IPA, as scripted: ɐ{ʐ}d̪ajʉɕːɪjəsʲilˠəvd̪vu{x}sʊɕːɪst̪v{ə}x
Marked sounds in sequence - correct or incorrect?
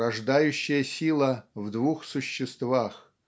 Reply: correct, correct, incorrect: a

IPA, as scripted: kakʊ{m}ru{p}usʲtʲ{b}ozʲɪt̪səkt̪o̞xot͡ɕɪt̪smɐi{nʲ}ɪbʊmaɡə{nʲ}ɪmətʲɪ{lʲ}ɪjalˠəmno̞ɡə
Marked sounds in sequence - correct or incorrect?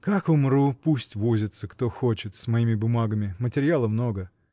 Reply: correct, correct, incorrect: v, incorrect: mʲ, incorrect: mʲ, incorrect: ɾʲ

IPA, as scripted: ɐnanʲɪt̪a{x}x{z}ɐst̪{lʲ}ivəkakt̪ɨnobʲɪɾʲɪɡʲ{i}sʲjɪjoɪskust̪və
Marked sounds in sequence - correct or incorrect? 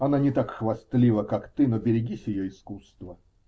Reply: incorrect: k, incorrect: v, correct, correct

